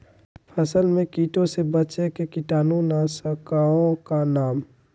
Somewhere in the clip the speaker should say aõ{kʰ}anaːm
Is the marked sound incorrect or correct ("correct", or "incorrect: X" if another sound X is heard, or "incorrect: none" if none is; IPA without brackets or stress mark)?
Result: incorrect: k